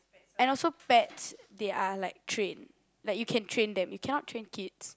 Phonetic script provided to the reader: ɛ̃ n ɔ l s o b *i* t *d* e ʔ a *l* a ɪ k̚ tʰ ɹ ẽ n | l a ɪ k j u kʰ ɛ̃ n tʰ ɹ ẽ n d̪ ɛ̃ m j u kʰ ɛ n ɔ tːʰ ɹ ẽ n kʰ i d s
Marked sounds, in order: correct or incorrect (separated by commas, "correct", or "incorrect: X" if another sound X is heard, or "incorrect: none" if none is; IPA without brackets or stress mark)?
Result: incorrect: ɛ, correct, correct